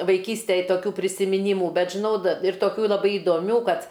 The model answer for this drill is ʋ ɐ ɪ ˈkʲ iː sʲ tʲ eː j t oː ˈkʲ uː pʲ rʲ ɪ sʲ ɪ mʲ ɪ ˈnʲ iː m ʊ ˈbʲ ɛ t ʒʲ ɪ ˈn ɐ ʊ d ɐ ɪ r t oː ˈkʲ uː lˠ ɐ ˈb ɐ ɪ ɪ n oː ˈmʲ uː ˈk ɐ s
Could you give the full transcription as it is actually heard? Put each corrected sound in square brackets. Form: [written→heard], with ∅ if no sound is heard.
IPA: ʋ ɐ ɪ ˈkʲ iː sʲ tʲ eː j t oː ˈkʲ uː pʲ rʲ ɪ sʲ ɪ mʲ ɪ ˈnʲ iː m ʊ ˈbʲ ɛ t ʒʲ ɪ ˈn ɐ ʊ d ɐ ɪ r t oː ˈkʲ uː lˠ ɐ ˈb ɐ ɪ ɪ [n→d] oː ˈmʲ uː ˈk ɐ [s→t]